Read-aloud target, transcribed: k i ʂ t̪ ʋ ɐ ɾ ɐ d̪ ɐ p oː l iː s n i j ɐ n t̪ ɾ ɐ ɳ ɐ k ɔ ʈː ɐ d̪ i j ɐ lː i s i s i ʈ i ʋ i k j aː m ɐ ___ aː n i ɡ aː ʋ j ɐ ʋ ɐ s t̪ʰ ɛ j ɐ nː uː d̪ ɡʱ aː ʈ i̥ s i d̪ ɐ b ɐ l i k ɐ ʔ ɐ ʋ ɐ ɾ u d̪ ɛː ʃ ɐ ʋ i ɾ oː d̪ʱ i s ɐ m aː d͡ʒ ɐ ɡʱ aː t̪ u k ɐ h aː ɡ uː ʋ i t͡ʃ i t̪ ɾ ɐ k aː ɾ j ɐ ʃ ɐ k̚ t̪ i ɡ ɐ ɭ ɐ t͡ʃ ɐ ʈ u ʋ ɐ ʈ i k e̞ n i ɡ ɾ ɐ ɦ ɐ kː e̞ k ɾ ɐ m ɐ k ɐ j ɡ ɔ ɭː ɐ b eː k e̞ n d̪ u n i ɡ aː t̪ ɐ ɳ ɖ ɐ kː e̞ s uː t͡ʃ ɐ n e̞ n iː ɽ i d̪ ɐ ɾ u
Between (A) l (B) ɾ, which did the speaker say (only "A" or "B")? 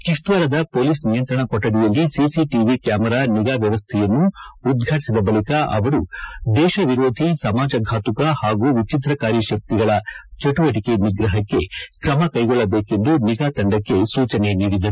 B